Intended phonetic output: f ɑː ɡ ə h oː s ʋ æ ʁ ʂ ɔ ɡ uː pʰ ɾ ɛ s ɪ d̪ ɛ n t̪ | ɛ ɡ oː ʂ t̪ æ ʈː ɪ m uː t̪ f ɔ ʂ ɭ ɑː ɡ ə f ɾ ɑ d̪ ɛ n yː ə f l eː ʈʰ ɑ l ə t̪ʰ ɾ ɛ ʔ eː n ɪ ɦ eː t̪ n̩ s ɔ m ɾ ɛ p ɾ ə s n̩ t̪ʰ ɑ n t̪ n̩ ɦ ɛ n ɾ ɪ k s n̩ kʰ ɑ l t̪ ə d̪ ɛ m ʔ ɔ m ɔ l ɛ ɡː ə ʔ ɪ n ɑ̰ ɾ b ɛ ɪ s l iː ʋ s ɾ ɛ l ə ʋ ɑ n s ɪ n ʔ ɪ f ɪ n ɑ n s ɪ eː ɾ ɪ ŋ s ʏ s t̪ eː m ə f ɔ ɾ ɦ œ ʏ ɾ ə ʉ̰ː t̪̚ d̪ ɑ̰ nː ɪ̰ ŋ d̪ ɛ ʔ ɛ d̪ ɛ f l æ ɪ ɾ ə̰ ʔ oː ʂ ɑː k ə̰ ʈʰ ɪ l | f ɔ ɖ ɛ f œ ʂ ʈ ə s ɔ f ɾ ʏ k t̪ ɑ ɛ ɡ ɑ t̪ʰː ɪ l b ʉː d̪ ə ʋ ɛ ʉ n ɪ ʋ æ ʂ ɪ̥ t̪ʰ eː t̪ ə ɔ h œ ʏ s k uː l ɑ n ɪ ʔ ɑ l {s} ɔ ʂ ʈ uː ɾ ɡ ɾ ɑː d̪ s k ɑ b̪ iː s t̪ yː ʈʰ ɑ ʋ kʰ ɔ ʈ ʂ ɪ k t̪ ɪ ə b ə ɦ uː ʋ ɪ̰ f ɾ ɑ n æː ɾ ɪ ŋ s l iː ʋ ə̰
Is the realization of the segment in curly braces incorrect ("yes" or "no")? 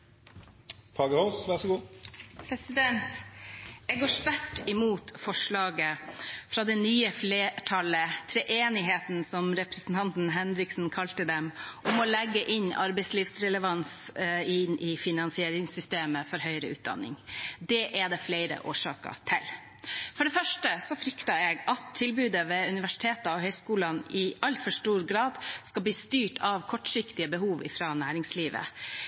yes